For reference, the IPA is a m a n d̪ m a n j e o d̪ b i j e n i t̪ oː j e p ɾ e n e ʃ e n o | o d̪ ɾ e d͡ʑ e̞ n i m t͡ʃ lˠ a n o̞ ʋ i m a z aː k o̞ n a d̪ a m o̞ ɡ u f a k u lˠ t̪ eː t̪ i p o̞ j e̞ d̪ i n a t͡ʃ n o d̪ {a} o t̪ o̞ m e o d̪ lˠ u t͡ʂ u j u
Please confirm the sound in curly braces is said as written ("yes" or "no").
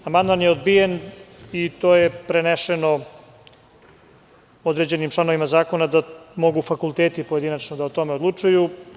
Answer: yes